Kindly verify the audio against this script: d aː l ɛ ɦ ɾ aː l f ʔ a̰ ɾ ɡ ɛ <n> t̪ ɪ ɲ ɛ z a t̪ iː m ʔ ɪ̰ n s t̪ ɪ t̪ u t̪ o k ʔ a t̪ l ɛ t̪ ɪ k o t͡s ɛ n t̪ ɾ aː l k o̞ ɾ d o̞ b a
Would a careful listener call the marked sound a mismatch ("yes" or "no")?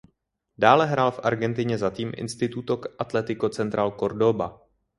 no